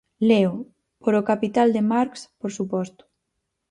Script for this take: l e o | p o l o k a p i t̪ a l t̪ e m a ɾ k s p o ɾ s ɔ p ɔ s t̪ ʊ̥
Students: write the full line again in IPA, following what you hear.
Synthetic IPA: l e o | p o ɾ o k a p i t̪ a l d̪ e m a ɾ k s p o ɾ s u p ɔ s t̪ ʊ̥